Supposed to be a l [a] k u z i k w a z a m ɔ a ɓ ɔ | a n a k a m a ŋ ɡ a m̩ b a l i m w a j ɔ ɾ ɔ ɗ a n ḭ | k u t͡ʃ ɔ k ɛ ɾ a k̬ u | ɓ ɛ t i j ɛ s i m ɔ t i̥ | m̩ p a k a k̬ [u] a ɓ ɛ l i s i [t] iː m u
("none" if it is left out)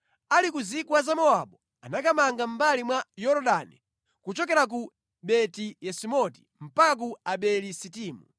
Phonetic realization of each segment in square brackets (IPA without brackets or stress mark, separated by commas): i, u, t